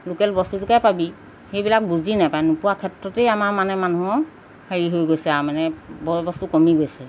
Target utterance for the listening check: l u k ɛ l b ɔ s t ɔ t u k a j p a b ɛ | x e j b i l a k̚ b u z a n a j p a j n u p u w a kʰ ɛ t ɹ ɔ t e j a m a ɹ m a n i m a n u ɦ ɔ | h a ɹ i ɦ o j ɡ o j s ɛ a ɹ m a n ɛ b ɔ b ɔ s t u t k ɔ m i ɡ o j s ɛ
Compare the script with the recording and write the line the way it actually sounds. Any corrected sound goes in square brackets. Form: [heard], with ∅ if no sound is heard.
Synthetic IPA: l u k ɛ l b ɔ s t [u] t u k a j p a b [i] | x e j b i l a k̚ b u z [i] n a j p a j n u p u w a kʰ ɛ t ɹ ɔ t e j a m a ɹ m a n [ɛ] m a n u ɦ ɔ | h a ɹ i ɦ o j ɡ o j s ɛ a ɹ m a n ɛ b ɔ b ɔ s t u [∅] k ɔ m i ɡ o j s ɛ